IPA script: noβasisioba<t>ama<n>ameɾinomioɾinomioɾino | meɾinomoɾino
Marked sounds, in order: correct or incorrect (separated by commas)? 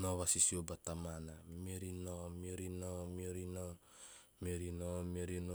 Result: correct, correct